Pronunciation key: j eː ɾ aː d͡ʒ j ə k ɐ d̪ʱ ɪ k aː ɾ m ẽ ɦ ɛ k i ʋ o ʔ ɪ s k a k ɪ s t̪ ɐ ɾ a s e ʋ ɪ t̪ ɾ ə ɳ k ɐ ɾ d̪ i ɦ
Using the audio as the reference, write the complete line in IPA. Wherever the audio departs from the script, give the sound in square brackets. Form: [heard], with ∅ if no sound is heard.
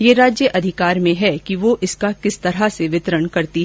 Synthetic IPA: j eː ɾ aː d͡ʒ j ə [ʔ] ɐ d̪ʱ ɪ k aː ɾ m ẽ ɦ ɛ k i ʋ o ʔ ɪ s k a k ɪ s t̪ ɐ ɾ a s e ʋ ɪ t̪ ɾ ə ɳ k ɐ ɾ [t̪] i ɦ